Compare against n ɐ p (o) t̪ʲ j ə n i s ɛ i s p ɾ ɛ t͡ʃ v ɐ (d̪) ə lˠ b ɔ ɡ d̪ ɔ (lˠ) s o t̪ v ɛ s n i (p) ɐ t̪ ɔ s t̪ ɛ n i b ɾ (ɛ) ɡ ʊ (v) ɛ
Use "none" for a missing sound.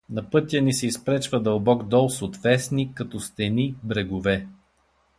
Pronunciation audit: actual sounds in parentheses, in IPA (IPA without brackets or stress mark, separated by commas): ɤ, d̪, lˠ, k, ɛ, v